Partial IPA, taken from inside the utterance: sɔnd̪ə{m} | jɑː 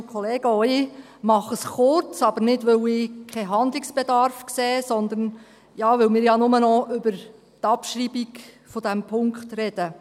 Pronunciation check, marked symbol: incorrect: n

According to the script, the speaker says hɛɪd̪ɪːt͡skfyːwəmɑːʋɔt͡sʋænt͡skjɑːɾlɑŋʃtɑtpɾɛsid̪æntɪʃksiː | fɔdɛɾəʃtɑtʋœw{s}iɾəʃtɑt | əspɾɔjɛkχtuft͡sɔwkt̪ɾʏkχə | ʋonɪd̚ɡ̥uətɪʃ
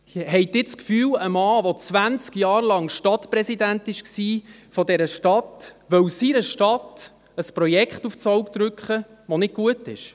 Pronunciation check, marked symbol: correct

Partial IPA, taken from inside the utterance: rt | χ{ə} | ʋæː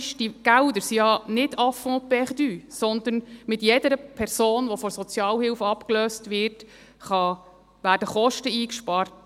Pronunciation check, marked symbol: incorrect: ɑ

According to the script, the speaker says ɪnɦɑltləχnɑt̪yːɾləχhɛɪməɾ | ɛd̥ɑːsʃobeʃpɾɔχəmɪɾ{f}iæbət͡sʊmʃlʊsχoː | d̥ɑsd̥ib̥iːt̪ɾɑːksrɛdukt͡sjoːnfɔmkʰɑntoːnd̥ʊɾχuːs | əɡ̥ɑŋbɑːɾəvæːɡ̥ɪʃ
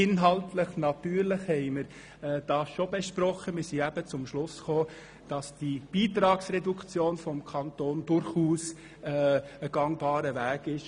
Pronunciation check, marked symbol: incorrect: s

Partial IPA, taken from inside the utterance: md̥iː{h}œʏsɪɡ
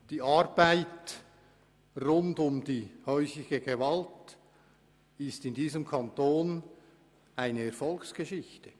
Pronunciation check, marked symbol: correct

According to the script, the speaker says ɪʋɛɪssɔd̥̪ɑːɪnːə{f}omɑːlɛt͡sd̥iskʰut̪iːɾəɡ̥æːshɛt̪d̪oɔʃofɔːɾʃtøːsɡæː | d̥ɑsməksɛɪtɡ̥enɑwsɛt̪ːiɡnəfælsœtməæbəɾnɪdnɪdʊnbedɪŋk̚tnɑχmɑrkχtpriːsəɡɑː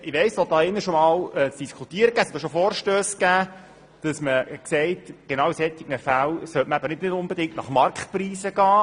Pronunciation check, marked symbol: incorrect: ʃ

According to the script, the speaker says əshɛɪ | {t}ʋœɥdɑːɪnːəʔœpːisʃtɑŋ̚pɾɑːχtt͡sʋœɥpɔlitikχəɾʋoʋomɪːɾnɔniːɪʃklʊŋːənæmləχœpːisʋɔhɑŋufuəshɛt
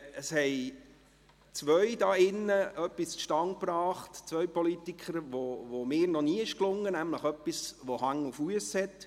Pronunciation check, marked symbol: incorrect: t͡s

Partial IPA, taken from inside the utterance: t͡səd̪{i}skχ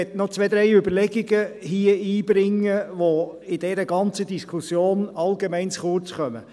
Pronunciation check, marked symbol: correct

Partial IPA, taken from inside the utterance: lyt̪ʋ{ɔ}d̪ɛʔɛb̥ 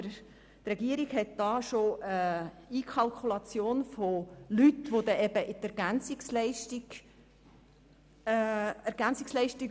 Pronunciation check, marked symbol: incorrect: o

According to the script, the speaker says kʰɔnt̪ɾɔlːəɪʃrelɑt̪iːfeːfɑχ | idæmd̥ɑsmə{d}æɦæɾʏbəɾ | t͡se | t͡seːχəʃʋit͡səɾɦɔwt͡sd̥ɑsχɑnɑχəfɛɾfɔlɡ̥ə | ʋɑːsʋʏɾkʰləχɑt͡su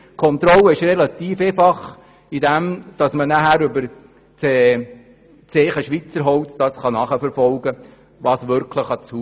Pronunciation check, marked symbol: incorrect: n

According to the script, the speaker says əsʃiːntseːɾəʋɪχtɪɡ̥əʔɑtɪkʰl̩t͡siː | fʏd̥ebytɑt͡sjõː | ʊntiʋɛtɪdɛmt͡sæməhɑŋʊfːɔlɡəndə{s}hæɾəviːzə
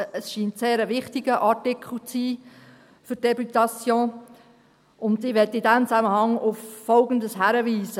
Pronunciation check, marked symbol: correct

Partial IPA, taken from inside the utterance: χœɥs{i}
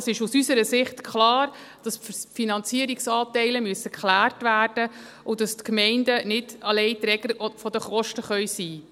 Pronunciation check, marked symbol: incorrect: iː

